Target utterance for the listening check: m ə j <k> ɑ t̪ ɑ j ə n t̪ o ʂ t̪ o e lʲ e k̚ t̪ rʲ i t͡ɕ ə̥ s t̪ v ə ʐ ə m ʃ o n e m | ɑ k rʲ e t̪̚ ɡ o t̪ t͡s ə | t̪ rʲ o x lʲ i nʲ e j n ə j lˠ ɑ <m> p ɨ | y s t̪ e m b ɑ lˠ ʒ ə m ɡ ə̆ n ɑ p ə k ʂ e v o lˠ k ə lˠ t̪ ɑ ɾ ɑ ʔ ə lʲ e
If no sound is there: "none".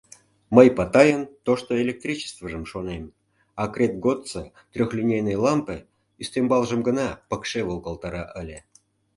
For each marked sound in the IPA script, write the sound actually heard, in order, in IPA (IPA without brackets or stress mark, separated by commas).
p, m